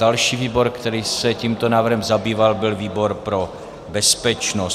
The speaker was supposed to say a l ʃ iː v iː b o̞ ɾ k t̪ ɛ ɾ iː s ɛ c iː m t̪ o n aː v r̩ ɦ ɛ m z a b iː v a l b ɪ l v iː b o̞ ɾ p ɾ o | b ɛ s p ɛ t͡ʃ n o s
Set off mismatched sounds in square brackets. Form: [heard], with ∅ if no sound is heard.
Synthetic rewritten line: a l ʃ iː v iː b o̞ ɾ k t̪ ɛ ɾ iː s ɛ c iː m t̪ o n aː v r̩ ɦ ɛ m z a b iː v a l b ɪ l v iː b o̞ ɾ p ɾ o | b ɛ s p ɛ t͡ʃ n o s

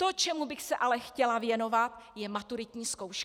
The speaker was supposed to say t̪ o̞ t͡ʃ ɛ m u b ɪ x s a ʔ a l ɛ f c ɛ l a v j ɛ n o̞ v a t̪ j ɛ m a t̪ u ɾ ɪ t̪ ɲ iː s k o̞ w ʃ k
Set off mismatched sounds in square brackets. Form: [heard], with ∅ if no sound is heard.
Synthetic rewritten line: t̪ o̞ t͡ʃ ɛ m u b ɪ x s [ɛ] ʔ a l ɛ [x] c ɛ l a v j ɛ n o̞ v a t̪ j ɛ m a t̪ u ɾ ɪ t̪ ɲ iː s k o̞ w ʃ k

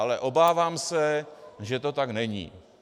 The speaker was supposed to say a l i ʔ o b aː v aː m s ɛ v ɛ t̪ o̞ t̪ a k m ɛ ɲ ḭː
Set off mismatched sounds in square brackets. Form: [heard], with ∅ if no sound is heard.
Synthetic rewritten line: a l [ɛ] ʔ o b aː v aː m s ɛ [ʒ] ɛ t̪ o̞ t̪ a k [n] ɛ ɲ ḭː

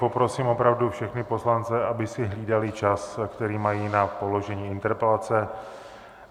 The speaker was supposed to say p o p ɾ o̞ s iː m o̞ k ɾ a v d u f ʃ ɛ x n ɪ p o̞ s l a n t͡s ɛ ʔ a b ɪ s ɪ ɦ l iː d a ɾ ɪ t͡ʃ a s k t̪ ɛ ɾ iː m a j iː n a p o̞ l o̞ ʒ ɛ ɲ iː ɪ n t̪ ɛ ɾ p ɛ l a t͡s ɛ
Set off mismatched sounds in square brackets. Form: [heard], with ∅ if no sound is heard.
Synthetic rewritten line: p o p ɾ o̞ s iː m o̞ [p] ɾ a v d u f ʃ ɛ x n ɪ p o̞ s l a n t͡s ɛ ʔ a b ɪ s ɪ ɦ l iː d a [l] ɪ t͡ʃ a s k t̪ ɛ ɾ iː m a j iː n a p o̞ l o̞ ʒ ɛ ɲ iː ɪ n t̪ ɛ ɾ p ɛ l a t͡s ɛ

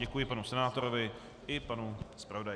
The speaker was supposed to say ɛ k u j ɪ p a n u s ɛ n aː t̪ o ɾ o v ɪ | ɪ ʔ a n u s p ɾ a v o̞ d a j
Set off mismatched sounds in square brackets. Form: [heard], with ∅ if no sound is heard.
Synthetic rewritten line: ɛ k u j ɪ p a n u s ɛ n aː t̪ o ɾ o v ɪ | ɪ [p] a n u s p ɾ a v o̞ d a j

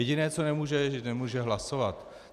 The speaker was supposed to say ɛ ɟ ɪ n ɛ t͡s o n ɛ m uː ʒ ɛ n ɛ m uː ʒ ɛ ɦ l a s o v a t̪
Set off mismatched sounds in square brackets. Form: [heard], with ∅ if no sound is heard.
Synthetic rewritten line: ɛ ɟ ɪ n [ɛː] t͡s o n ɛ m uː ʒ ɛ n ɛ m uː ʒ ɛ ɦ l a s o v a t̪

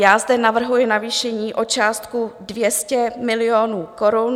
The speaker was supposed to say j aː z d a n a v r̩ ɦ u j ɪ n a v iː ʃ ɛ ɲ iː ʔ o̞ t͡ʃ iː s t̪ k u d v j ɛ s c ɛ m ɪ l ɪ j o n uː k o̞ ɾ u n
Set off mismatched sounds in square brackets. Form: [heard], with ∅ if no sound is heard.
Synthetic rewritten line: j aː z d [ɛ] n a v r̩ ɦ u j ɪ n a v iː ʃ ɛ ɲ iː ʔ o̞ t͡ʃ [aː] s t̪ k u d v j ɛ s c ɛ m ɪ l ɪ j o n uː k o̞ ɾ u n

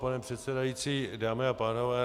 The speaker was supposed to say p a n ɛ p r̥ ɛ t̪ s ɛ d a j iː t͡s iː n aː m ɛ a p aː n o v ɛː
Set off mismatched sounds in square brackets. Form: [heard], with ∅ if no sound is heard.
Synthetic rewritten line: p a n ɛ p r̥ ɛ t̪ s ɛ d a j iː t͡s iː [d] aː m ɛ a p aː n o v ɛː

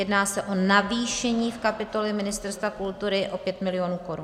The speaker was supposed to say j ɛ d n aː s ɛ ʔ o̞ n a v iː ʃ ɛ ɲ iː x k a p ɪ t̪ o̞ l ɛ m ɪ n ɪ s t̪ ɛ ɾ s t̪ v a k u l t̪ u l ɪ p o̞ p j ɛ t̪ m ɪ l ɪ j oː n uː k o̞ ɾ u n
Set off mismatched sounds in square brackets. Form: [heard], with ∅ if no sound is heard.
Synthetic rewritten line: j ɛ d n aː s ɛ ʔ o̞ n a v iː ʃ ɛ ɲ iː [f] k a p ɪ t̪ o̞ l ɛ m ɪ n ɪ s t̪ ɛ ɾ s t̪ v a k u l t̪ u [ɾ] ɪ [ʔ] o̞ p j ɛ t̪ m ɪ l ɪ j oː n uː k o̞ ɾ u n

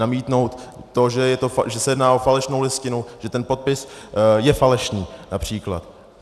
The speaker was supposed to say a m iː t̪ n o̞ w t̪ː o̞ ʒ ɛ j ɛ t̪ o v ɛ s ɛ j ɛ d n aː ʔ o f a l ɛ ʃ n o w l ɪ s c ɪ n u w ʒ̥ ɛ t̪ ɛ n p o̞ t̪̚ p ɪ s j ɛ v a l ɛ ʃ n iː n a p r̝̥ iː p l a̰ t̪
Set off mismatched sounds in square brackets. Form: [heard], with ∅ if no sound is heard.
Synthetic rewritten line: a m iː t̪ n o̞ w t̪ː o̞ ʒ ɛ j ɛ t̪ o [ʒ] ɛ s ɛ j ɛ d n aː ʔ o f a l ɛ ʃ n o w l ɪ s c ɪ n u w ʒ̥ ɛ t̪ ɛ n p o̞ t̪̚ p ɪ s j ɛ [f] a l ɛ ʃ n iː n a p r̝̥ iː [k] l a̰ t̪

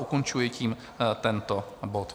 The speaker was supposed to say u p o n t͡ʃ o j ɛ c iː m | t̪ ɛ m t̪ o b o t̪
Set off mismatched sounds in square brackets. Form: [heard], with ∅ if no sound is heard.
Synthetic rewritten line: u [k] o n t͡ʃ [u] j ɛ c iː m | t̪ ɛ [n] t̪ o b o t̪

